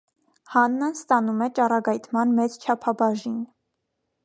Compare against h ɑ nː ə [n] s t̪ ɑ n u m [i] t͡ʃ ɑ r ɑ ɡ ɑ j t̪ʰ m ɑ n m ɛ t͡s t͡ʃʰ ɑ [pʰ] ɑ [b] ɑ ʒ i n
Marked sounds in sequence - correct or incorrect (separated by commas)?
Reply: correct, incorrect, correct, correct